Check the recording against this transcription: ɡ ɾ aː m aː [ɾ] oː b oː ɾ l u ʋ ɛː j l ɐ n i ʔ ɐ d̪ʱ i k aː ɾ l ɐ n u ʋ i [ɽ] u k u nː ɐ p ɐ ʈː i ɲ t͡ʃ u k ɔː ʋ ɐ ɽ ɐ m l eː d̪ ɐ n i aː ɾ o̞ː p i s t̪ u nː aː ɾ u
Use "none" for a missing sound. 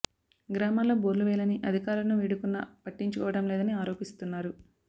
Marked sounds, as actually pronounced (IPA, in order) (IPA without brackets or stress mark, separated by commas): l, ɽ